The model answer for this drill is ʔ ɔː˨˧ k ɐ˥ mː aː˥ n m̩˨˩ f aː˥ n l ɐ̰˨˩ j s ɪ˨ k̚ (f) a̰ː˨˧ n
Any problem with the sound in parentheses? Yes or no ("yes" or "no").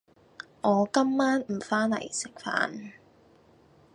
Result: no